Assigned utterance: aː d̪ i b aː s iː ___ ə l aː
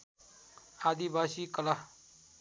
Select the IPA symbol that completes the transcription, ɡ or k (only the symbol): k